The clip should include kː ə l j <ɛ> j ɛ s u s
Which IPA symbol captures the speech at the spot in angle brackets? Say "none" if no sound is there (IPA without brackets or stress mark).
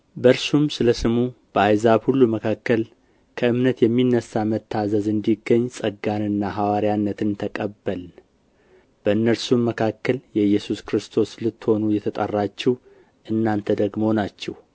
ɛ